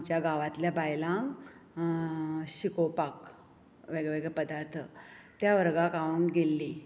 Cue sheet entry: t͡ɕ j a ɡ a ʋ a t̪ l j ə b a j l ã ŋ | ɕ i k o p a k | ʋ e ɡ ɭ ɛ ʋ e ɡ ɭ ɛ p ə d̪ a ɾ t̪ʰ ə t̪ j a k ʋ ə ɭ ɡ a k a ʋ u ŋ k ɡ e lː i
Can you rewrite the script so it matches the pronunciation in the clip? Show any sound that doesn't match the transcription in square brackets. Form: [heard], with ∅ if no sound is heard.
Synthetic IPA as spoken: t͡ɕ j a ɡ a ʋ a t̪ l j [a] b a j l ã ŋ | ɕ i k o p a k | ʋ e ɡ ɭ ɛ ʋ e ɡ ɭ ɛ p ə d̪ a ɾ t̪ʰ ə t̪ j a [∅] ʋ ə [ɾ] ɡ a k a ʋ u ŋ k ɡ e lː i